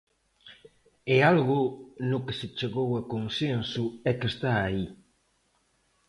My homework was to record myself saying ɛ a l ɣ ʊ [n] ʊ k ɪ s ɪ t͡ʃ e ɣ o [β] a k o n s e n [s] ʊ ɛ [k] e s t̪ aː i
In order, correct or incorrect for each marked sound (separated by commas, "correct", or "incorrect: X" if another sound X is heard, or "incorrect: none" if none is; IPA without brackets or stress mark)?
correct, incorrect: w, correct, correct